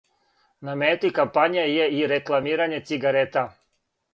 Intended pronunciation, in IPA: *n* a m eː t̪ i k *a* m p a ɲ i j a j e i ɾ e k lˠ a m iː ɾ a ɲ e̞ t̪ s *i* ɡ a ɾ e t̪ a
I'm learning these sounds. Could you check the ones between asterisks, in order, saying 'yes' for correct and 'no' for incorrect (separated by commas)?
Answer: yes, yes, yes